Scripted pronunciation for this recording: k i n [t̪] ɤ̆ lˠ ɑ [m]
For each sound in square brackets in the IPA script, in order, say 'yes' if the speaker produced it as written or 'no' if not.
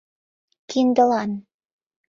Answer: no, no

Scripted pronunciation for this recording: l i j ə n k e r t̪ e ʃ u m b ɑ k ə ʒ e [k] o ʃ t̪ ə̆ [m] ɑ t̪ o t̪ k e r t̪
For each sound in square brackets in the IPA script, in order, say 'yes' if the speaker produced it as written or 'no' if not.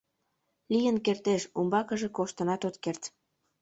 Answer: yes, no

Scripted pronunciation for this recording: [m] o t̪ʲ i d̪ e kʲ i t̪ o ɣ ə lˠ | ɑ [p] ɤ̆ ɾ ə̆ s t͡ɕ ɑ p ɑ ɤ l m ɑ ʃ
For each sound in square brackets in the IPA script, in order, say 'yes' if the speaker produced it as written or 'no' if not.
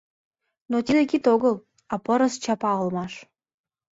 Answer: no, yes

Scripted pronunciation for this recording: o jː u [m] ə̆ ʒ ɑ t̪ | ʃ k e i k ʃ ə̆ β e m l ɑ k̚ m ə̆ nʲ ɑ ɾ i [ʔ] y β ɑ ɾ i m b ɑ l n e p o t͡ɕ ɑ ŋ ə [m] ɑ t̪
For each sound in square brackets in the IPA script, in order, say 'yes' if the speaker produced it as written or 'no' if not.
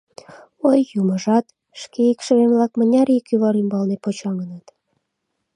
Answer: yes, no, no

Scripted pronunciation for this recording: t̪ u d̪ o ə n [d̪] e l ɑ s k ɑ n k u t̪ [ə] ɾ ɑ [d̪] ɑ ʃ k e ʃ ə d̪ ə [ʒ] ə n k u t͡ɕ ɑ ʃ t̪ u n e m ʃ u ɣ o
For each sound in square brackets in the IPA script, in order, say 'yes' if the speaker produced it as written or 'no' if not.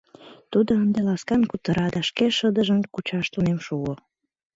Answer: yes, yes, yes, yes

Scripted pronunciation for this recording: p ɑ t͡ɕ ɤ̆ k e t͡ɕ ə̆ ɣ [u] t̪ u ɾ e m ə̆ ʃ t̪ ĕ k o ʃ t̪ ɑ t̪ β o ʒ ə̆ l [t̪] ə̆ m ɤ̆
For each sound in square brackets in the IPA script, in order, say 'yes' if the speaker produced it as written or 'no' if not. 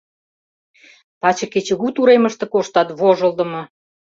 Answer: yes, no

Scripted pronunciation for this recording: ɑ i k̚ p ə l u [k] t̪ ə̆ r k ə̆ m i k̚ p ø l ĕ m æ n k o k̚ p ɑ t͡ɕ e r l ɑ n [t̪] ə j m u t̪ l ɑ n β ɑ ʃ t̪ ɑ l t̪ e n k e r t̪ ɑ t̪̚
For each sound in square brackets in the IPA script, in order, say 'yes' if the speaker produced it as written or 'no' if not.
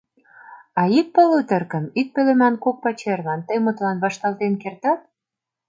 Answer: no, yes

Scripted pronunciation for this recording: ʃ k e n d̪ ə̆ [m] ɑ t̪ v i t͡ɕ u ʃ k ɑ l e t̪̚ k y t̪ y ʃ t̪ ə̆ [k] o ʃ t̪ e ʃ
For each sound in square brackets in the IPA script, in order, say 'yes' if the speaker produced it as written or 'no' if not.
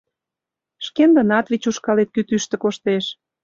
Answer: no, yes

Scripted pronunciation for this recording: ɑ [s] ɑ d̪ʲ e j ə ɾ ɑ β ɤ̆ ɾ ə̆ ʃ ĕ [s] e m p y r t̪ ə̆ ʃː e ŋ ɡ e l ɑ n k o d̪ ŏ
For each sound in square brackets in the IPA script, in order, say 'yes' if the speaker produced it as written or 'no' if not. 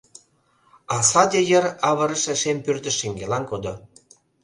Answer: yes, no

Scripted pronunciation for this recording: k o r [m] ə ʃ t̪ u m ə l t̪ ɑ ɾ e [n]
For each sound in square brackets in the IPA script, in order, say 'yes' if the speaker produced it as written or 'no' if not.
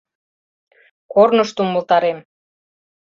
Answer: no, no

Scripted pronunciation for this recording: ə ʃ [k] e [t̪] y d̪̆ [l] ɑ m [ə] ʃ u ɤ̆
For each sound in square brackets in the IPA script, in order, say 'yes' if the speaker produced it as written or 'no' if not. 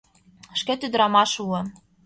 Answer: yes, yes, no, no

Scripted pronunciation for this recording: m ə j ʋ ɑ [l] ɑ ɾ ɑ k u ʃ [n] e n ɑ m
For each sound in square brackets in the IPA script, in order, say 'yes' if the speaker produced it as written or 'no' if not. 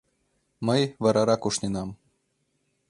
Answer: no, yes

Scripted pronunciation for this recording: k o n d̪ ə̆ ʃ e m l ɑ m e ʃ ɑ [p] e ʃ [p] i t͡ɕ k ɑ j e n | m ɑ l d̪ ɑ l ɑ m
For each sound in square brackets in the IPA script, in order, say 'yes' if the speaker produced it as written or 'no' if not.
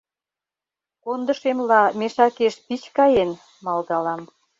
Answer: no, yes

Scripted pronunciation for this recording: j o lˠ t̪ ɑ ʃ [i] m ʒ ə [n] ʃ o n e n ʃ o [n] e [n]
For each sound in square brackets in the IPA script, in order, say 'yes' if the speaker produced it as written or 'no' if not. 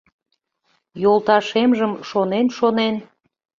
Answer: no, no, yes, yes

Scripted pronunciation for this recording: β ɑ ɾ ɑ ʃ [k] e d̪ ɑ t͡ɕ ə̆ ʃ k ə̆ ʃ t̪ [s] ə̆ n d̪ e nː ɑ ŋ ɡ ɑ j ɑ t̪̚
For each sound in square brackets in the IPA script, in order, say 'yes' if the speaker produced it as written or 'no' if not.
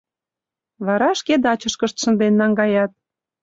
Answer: yes, no

